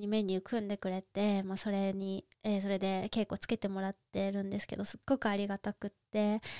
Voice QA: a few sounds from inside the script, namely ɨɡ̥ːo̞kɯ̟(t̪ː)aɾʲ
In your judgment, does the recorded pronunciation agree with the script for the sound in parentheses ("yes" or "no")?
no